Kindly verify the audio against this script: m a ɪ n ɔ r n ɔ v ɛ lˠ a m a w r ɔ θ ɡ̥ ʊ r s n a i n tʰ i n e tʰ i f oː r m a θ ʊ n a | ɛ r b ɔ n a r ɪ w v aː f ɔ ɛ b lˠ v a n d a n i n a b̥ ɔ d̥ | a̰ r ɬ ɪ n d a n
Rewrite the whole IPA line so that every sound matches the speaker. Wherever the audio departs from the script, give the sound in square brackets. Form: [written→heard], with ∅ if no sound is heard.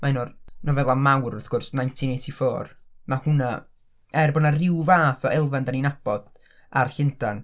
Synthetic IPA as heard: m a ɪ n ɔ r n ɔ v ɛ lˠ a m a w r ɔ θ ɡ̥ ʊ r s n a [i→j] n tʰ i n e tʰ i f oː r m a [θ→h] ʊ n a | ɛ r b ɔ n a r ɪ w v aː [f→θ] ɔ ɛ [b→∅] lˠ v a n d a n i n a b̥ ɔ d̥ | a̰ r ɬ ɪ n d a n